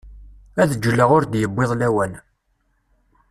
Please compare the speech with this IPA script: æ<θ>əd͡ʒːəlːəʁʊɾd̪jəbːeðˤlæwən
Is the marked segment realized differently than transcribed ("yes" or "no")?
yes